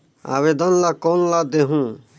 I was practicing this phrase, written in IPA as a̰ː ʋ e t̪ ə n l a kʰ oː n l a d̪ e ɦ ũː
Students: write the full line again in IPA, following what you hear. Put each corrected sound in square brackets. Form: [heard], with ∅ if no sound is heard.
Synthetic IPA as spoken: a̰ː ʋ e [d̪] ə n l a [k] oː n l a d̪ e ɦ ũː